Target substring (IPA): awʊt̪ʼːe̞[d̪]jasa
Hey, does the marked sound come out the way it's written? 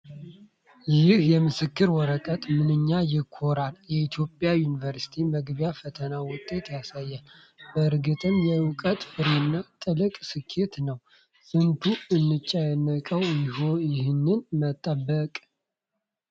no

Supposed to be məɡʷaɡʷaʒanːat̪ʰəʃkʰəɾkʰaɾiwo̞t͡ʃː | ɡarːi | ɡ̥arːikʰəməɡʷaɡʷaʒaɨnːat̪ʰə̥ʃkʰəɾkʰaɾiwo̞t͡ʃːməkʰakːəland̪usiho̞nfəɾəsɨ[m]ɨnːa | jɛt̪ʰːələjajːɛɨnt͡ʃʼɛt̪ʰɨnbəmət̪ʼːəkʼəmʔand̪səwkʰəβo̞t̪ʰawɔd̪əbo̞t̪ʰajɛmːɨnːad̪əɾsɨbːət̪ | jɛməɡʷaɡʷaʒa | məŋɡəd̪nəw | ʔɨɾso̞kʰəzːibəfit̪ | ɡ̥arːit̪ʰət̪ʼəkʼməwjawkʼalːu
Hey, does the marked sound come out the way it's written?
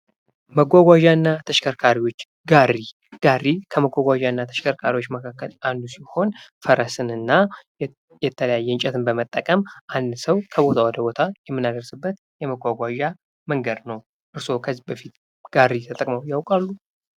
no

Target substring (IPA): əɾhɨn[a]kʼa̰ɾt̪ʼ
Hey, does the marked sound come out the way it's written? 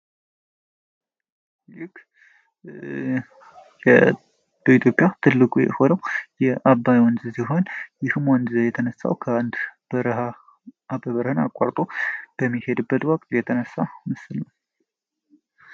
yes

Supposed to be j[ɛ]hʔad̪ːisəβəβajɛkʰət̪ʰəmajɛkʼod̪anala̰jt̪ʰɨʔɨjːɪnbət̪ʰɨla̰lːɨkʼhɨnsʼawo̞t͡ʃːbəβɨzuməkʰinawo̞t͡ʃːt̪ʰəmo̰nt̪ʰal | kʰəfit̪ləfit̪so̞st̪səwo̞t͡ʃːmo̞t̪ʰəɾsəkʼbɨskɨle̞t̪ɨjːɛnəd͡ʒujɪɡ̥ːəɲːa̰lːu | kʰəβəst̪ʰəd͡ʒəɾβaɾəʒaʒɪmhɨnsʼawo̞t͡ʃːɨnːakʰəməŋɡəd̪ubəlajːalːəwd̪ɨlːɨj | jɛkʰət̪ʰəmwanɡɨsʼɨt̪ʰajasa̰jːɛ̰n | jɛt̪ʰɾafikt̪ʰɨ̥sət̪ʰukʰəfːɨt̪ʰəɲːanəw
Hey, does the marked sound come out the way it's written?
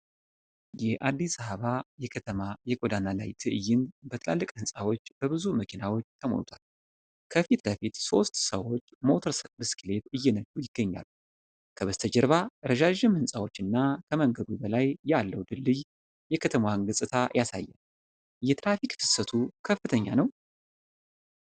yes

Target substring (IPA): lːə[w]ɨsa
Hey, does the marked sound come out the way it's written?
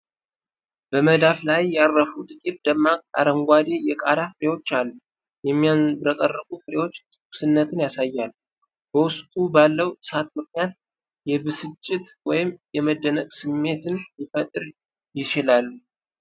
yes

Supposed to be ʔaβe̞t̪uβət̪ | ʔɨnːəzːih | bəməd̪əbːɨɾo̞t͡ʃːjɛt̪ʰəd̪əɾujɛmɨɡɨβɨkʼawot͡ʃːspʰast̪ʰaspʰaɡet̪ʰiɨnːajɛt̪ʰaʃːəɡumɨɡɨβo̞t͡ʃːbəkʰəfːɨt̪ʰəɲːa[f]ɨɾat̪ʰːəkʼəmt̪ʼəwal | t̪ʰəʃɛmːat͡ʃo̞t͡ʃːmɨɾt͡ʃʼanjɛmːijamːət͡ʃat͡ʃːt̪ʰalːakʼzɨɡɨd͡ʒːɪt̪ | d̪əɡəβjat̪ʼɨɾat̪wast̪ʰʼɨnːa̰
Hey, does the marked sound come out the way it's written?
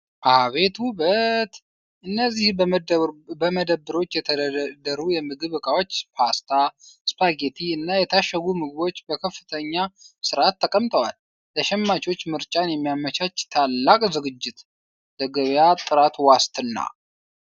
no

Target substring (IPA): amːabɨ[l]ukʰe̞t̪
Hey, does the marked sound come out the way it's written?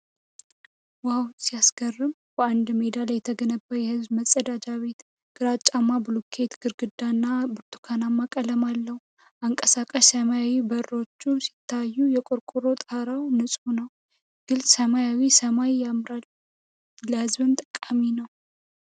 yes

